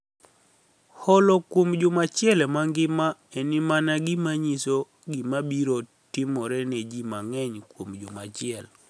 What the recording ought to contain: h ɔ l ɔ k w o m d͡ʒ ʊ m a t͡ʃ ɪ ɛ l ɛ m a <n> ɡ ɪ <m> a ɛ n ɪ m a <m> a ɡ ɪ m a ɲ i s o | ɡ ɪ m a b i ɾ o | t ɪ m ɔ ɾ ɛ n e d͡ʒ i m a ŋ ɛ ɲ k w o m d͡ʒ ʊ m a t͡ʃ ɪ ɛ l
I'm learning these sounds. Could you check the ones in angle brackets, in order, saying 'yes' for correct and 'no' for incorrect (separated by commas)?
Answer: no, yes, no